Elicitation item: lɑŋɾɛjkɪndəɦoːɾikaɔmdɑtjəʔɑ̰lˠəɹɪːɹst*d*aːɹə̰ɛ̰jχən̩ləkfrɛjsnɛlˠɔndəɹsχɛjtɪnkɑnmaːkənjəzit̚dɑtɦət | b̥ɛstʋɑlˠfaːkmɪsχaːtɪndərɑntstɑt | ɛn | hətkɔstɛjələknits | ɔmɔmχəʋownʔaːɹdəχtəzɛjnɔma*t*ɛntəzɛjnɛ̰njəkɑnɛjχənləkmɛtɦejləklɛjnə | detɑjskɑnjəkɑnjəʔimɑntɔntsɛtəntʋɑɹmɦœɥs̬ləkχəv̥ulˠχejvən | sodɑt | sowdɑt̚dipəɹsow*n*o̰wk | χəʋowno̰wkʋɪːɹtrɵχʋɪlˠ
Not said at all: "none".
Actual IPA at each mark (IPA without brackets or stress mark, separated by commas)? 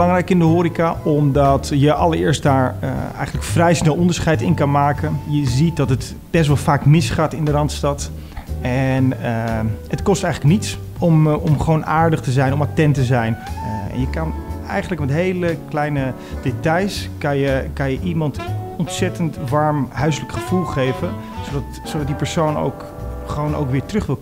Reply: d, t, n